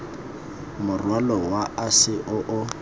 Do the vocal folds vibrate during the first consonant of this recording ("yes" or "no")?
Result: yes